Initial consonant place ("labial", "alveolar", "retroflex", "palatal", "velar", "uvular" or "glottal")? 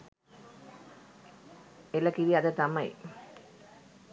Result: alveolar